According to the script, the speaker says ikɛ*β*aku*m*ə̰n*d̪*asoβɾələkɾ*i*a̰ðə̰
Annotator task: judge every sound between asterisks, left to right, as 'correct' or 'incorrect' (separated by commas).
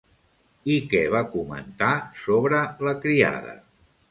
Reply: correct, correct, incorrect, correct